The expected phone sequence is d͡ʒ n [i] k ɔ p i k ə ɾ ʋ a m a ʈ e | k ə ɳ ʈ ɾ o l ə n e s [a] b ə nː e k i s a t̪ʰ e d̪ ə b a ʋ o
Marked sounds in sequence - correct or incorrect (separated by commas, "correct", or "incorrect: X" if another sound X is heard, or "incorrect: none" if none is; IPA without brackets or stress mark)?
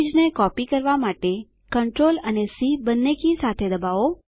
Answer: incorrect: e, incorrect: i